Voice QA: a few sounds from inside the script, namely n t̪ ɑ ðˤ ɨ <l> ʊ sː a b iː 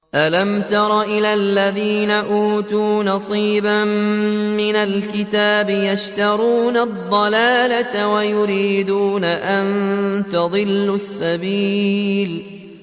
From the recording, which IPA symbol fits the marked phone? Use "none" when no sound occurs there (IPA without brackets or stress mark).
lː